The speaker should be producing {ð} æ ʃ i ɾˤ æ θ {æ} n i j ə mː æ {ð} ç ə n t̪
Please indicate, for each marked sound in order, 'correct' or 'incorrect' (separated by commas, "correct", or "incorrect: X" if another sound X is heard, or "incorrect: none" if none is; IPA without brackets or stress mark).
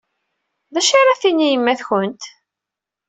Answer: correct, incorrect: i, incorrect: θ